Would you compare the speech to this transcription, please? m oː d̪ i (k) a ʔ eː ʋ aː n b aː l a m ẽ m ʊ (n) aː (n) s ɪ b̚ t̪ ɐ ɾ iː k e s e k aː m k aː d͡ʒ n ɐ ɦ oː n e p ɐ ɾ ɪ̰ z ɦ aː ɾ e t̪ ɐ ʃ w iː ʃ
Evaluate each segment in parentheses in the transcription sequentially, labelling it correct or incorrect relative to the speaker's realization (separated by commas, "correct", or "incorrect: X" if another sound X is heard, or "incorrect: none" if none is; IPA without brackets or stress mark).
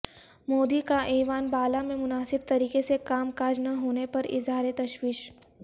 correct, correct, incorrect: none